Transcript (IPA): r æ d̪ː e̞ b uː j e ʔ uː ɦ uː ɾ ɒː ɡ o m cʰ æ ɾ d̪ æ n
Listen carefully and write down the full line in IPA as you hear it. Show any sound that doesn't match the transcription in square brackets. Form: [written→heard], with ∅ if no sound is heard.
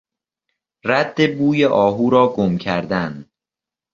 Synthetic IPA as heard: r æ d̪ː e̞ b uː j e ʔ [uː→ɒː] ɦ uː ɾ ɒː ɡ o m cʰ æ ɾ d̪ æ n

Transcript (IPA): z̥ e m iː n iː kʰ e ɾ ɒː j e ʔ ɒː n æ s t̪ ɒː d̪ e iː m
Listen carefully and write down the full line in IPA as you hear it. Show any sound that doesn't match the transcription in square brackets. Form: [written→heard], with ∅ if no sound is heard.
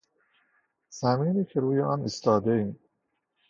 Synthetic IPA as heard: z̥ [e→æ] m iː n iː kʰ e ɾ [ɒː→uː] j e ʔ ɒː n [æ→i] s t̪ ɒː d̪ e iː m

